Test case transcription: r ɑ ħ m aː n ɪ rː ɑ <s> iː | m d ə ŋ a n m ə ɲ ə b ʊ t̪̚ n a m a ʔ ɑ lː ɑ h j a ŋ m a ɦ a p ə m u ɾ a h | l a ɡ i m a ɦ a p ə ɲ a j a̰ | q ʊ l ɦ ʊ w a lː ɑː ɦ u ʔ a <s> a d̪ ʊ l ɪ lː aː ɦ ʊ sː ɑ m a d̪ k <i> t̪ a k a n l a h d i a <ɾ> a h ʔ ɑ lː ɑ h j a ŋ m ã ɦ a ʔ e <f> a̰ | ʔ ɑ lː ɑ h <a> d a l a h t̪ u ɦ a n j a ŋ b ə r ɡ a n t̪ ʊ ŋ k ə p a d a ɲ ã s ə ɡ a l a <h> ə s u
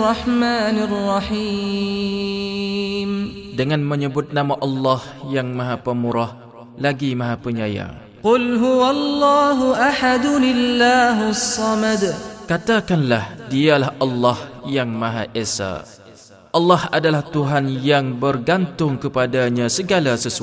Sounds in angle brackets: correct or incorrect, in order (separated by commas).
incorrect, incorrect, incorrect, incorrect, incorrect, correct, incorrect